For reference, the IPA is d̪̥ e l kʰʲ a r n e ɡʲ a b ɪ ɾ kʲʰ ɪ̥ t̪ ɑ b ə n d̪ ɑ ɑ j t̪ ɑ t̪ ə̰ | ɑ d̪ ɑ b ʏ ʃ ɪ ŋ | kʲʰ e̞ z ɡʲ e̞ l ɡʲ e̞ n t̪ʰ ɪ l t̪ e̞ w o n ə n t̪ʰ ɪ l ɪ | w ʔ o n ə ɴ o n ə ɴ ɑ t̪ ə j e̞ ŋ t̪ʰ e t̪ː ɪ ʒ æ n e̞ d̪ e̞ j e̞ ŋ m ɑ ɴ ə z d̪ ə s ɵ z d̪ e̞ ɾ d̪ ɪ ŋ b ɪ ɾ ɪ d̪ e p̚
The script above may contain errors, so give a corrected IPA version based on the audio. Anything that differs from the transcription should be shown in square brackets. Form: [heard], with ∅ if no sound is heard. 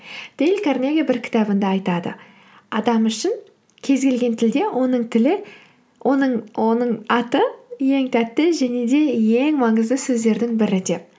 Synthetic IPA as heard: d̪̥ e l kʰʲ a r n e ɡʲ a b ɪ ɾ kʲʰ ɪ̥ t̪ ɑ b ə n d̪ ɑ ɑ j t̪ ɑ [d̪] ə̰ | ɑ d̪ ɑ [m] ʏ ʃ ɪ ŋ | kʲʰ e̞ z ɡʲ e̞ l ɡʲ e̞ n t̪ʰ ɪ l [d̪] e̞ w o n ə [ɴ] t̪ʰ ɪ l ɪ | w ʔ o n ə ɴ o n ə ɴ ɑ t̪ ə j e̞ ŋ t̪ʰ [æ] t̪ː ɪ ʒ æ n e̞ d̪ e̞ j e̞ ŋ m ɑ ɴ ə z d̪ ə s ɵ z d̪ e̞ ɾ d̪ ɪ ŋ b ɪ ɾ ɪ d̪ e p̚

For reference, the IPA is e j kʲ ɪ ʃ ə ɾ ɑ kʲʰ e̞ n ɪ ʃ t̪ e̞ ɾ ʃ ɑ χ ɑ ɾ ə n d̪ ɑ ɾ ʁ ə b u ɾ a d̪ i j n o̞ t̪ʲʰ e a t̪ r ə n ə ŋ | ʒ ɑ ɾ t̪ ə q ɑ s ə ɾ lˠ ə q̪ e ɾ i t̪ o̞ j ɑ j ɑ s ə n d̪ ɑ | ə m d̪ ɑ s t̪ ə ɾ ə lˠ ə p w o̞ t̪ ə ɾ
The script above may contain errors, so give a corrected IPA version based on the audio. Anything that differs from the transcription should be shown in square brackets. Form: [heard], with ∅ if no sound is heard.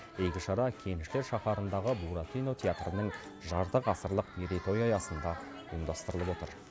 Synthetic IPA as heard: e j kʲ ɪ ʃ [ɑ] ɾ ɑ kʲʰ e̞ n ɪ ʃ t̪ e̞ ɾ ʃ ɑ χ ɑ ɾ ə n d̪ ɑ [∅] ʁ ə b u ɾ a [t̪] i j n o̞ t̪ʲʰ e a t̪ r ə n ə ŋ | ʒ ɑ ɾ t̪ ə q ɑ s ə ɾ lˠ ə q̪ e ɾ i t̪ o̞ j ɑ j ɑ s ə n d̪ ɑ | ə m d̪ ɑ s t̪ ə ɾ ə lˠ ə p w o̞ t̪ ə ɾ

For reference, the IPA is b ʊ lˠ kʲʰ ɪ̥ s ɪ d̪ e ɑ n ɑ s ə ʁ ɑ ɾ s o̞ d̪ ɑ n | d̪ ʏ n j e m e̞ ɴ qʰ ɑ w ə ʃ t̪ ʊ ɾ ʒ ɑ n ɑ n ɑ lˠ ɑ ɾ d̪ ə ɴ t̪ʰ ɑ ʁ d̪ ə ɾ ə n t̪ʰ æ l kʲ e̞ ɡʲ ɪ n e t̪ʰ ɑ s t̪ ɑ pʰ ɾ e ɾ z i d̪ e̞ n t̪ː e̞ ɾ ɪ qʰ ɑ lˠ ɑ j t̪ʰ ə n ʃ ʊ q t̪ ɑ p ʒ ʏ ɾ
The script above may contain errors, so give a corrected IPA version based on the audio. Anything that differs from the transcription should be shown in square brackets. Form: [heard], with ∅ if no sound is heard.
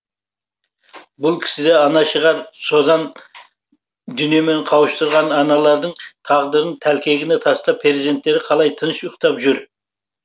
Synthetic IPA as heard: b ʊ lˠ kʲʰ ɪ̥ s ɪ d̪ e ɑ n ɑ [ʃ] ə ʁ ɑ ɾ s o̞ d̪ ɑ n | d̪ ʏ n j e m e̞ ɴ qʰ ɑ w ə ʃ t̪ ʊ ɾ [ʁ] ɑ n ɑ n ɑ lˠ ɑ ɾ d̪ ə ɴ t̪ʰ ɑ ʁ d̪ ə ɾ ə n t̪ʰ æ l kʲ e̞ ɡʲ ɪ n e t̪ʰ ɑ s t̪ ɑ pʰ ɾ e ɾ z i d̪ e̞ n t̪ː e̞ ɾ ɪ qʰ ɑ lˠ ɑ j t̪ʰ ə n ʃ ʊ q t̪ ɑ p ʒ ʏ ɾ

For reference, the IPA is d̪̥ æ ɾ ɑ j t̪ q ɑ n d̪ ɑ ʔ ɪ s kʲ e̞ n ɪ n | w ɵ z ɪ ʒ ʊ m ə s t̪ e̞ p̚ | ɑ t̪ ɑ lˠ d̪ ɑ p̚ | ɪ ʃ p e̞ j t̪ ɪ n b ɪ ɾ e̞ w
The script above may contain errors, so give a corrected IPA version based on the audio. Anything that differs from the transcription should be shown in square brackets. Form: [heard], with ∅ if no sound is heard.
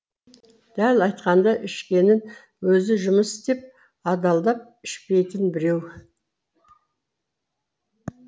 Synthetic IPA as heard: d̪̥ æ [l] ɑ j t̪ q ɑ n d̪ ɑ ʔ ɪ [ʃ] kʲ e̞ n ɪ n | w ɵ z ɪ ʒ ʊ m ə s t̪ e̞ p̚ | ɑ [d̪] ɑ lˠ d̪ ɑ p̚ | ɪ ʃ p e̞ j t̪ ɪ n b ɪ ɾ e̞ w

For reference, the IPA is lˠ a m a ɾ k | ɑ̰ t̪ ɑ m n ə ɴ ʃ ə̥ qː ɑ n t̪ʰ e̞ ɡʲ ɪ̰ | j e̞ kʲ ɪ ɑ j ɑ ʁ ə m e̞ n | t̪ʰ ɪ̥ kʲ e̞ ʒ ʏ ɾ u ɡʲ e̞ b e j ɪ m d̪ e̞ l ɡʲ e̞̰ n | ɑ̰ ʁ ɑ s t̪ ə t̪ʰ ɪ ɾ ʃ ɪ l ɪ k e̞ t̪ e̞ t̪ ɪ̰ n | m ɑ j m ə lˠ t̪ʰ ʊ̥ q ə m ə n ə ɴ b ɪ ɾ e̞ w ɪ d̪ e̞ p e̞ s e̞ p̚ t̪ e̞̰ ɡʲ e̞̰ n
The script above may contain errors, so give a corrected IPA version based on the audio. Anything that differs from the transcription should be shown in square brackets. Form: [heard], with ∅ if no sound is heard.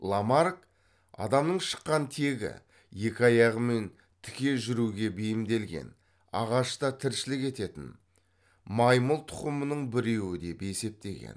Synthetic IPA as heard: lˠ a m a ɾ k | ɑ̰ [d̪] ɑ m n ə ɴ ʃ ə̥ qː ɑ n t̪ʰ e̞ ɡʲ ɪ̰ | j e̞ kʲ ɪ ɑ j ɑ ʁ ə m e̞ n | t̪ʰ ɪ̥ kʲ e̞ ʒ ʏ ɾ u ɡʲ e̞ b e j ɪ m d̪ e̞ l ɡʲ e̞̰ n | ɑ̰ ʁ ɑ [ʃ] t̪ [ɑ] t̪ʰ ɪ ɾ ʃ ɪ l ɪ k e̞ t̪ e̞ t̪ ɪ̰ n | m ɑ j m ə lˠ t̪ʰ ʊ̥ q ə m ə n ə ɴ b ɪ ɾ e̞ w ɪ d̪ e̞ p e̞ s e̞ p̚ t̪ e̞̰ ɡʲ e̞̰ n

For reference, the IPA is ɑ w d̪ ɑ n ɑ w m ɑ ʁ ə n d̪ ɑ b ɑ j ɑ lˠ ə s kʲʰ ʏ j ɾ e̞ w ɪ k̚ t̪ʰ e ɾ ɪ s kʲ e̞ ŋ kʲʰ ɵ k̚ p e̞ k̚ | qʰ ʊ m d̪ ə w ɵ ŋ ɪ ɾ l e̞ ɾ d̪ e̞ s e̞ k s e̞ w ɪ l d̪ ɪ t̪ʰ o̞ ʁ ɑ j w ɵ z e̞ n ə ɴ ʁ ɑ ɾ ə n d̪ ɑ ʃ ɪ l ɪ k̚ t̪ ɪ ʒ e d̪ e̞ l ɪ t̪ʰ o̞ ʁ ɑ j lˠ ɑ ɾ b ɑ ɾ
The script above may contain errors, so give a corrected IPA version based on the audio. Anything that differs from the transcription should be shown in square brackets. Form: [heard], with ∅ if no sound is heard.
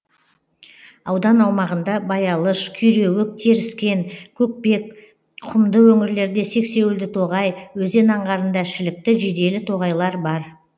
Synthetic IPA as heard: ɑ w d̪ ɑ n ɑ w m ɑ ʁ ə n d̪ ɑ b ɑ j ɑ lˠ ə [ʃ] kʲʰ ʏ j ɾ e̞ w ɪ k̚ t̪ʰ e ɾ ɪ s kʲ e̞ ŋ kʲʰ ɵ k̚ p e̞ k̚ | qʰ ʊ m d̪ ə w ɵ ŋ ɪ ɾ l e̞ ɾ d̪ e̞ s e̞ k s e̞ w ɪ l d̪ ɪ t̪ʰ o̞ ʁ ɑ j w ɵ z e̞ n [ɑ] ɴ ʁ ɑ ɾ ə n d̪ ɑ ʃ ɪ l ɪ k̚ t̪ ɪ ʒ e d̪ e̞ l ɪ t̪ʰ o̞ ʁ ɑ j lˠ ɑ ɾ b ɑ ɾ

